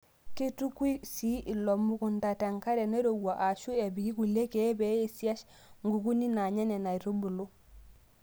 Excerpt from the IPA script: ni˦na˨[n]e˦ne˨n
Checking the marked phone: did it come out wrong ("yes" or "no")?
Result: yes